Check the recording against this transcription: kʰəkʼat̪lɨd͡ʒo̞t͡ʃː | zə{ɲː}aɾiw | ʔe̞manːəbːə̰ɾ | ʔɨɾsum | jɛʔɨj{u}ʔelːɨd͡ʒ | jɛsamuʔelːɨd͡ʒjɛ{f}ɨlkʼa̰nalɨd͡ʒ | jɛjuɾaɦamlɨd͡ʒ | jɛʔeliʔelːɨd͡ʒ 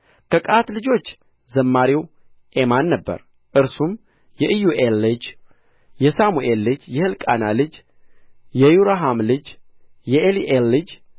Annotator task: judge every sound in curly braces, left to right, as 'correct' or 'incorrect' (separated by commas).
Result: incorrect, correct, incorrect